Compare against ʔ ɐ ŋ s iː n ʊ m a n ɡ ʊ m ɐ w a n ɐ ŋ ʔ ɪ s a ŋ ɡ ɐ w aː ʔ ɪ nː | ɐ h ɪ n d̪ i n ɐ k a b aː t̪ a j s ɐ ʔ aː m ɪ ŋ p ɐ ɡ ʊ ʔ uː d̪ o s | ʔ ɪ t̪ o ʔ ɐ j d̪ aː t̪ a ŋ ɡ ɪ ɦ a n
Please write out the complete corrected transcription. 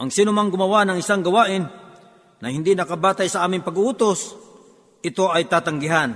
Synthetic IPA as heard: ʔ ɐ ŋ s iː n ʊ m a ŋ ɡ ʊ m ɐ w a n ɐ ŋ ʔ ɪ s a ŋ ɡ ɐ w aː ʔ ɪ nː | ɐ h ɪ n d̪ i n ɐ k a b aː t̪ a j s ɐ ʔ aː m ɪ ŋ p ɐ ɡ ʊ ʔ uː t̪ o s | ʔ ɪ t̪ o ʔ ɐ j t̪ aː t̪ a ŋ ɡ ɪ ɦ a n